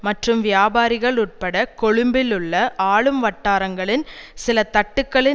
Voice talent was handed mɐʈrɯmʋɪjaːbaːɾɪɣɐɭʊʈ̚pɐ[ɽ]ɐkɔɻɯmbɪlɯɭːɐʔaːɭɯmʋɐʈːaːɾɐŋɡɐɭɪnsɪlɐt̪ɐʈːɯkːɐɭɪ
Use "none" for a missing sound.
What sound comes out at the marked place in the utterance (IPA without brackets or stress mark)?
ɽ